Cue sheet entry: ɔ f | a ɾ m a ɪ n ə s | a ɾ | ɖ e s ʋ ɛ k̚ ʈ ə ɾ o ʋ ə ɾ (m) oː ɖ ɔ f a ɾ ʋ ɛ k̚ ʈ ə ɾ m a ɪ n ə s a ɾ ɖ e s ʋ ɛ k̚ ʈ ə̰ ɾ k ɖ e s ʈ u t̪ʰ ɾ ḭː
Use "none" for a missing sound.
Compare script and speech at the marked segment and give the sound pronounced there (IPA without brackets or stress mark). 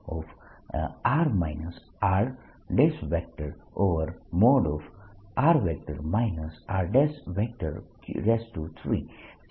m